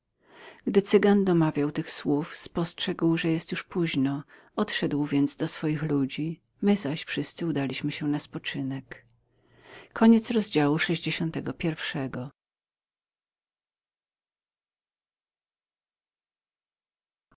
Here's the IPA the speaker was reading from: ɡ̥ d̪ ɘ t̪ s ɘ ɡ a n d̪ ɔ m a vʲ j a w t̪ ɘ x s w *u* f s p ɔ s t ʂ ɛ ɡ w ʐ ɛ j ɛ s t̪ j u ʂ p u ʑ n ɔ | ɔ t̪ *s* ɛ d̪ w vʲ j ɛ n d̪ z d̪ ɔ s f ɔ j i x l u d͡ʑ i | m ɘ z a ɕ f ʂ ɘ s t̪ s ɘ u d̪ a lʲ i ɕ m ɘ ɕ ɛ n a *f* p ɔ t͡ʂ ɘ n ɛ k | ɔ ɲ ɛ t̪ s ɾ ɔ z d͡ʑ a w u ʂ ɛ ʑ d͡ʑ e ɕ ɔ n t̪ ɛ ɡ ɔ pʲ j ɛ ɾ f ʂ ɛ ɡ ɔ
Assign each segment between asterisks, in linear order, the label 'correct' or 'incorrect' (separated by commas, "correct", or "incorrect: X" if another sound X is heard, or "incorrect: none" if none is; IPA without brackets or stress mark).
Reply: correct, incorrect: ʂ, incorrect: s